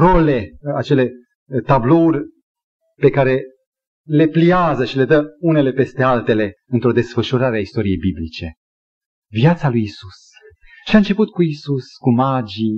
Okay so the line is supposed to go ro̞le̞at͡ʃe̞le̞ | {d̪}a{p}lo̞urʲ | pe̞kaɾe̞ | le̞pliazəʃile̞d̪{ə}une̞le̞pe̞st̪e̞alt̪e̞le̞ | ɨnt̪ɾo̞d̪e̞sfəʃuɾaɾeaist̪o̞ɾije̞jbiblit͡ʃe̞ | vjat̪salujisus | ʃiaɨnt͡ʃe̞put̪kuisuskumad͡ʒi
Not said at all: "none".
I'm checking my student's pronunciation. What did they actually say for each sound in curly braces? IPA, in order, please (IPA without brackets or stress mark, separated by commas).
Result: t̪, b, ə